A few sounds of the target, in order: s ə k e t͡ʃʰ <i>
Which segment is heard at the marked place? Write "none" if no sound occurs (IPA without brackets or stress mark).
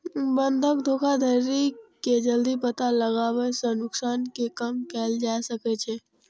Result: e